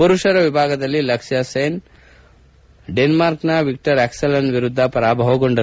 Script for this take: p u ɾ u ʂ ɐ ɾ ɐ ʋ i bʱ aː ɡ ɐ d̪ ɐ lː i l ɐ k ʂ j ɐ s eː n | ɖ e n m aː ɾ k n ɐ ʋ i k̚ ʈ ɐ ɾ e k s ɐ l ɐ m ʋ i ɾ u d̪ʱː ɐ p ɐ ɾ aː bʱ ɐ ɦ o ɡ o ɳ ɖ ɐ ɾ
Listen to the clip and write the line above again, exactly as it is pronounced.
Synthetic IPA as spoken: p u ɾ u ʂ ɐ ɾ ɐ ʋ i bʱ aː ɡ ɐ d̪ ɐ lː i l ɐ k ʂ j ɐ s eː n | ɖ e n m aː ɾ k n ɐ ʋ i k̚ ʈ ɐ ɾ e k s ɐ l ɐ n ʋ i ɾ u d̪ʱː ɐ p ɐ ɾ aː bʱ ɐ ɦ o ɡ o ɳ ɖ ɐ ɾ